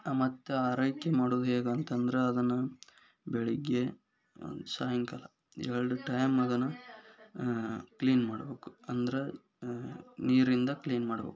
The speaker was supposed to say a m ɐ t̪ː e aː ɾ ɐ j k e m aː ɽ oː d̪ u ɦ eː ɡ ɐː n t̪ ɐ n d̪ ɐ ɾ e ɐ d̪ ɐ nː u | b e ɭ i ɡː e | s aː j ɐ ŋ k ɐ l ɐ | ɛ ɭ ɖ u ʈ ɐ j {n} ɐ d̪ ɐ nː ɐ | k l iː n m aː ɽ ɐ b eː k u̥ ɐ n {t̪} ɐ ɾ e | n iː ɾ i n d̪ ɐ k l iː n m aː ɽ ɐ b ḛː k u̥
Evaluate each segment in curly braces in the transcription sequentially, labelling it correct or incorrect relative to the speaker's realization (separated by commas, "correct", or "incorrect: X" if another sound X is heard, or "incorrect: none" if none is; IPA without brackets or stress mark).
incorrect: m, incorrect: d̪